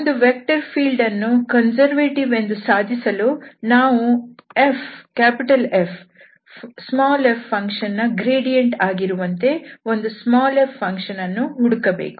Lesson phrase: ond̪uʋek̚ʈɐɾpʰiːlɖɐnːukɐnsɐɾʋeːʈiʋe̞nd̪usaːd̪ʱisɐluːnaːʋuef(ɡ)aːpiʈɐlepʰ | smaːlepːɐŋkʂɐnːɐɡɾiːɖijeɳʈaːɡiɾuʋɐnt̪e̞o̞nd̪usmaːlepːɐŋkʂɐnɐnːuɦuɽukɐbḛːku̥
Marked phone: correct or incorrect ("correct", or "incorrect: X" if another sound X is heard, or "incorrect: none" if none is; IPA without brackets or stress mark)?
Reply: incorrect: k